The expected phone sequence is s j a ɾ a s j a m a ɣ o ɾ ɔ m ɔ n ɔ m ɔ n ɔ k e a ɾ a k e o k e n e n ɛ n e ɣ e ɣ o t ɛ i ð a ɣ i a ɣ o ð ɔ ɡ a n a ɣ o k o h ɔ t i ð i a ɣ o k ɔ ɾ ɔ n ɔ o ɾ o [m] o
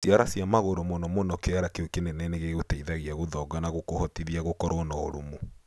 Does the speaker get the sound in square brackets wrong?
no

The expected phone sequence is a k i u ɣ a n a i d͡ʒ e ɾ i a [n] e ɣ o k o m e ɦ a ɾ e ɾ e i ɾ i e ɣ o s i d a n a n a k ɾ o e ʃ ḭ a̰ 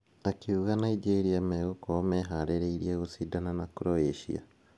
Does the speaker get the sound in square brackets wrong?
yes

